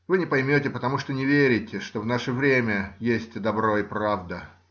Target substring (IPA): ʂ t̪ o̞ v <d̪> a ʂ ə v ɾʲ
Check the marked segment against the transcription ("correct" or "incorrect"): incorrect